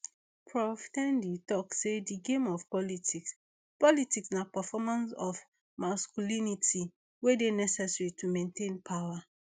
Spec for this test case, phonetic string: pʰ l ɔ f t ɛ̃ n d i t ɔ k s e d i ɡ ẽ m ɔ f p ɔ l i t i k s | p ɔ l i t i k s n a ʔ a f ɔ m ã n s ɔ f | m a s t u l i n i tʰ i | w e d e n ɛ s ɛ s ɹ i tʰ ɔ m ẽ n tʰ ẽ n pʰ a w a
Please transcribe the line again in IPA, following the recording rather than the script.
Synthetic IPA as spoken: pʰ ɹ ɔ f t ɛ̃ n d i t ɔ k s e d i ɡ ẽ m ɔ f p ɔ l i t i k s | p ɔ l i t i k s n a p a f ɔ m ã n s ɔ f | m a s k u l i n i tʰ i | w e d e n ɛ s ɛ s ɹ i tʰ u m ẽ n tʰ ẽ n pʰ a w a